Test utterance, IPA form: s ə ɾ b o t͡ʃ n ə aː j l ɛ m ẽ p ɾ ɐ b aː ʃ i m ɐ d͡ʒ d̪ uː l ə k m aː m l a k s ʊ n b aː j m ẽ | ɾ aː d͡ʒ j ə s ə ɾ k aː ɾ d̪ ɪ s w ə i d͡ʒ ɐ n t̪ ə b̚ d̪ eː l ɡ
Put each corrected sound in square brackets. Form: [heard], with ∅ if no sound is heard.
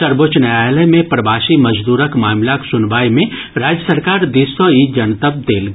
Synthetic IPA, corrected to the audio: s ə ɾ b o t͡ʃ n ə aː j l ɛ m ẽ p ɾ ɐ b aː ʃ i m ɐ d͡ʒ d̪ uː [ɾ] ə k m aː m l a k s ʊ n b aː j m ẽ | ɾ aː d͡ʒ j ə s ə ɾ k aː ɾ d̪ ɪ s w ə i d͡ʒ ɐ n t̪ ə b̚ d̪ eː l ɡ